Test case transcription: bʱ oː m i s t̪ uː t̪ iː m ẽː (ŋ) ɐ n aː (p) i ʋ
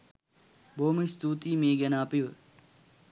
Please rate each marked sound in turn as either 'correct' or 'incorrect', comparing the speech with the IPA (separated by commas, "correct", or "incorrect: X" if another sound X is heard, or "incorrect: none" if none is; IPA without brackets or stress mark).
incorrect: ɡ, correct